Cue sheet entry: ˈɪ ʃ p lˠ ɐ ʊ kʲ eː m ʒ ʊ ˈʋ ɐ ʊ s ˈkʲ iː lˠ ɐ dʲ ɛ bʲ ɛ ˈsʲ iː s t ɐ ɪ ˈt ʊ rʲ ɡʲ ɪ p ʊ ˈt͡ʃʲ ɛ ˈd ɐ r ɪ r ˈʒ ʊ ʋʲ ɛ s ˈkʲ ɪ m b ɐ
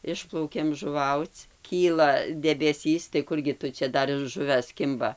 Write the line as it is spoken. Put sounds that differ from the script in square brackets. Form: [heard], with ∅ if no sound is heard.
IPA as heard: ˈɪ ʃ p lˠ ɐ ʊ kʲ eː m ʒ ʊ ˈʋ ɐ ʊ [t͡s] ˈkʲ iː lˠ ɐ dʲ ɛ bʲ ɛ ˈsʲ iː s t ɐ ɪ [ˈk] ʊ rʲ ɡʲ ɪ [t] ʊ ˈt͡ʃʲ ɛ ˈd ɐ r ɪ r ˈʒ ʊ ʋʲ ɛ s ˈkʲ ɪ m b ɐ